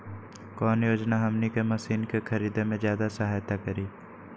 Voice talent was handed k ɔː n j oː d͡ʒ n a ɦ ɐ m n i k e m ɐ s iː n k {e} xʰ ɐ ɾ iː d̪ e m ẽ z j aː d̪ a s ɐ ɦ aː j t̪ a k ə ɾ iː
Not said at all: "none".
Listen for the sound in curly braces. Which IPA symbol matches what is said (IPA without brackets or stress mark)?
e